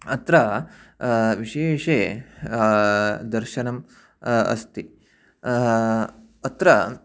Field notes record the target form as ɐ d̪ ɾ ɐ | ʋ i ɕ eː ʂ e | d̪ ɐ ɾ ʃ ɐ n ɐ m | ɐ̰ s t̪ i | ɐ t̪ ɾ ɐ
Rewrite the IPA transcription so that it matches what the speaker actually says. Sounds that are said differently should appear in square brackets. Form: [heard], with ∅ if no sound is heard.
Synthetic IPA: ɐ [t̪] ɾ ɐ | ʋ i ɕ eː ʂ e | d̪ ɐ ɾ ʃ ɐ n ɐ m | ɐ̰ s t̪ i | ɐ t̪ ɾ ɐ

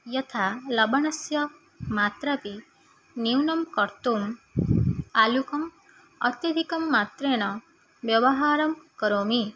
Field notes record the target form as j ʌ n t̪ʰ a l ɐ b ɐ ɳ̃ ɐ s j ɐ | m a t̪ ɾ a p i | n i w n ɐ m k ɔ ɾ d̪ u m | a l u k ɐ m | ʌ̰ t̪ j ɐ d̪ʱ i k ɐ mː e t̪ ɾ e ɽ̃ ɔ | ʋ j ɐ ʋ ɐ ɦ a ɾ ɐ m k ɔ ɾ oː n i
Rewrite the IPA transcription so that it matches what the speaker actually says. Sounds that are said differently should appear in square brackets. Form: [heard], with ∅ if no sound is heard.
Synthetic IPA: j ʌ [∅] t̪ʰ a l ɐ b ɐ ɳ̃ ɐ s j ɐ | m a t̪ ɾ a p i | n i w n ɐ m k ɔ ɾ [t̪] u m | a l u k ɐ m | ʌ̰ t̪ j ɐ d̪ʱ i k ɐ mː [a] t̪ ɾ e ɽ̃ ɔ | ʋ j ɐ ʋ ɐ ɦ a ɾ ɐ m k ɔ ɾ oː [m] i

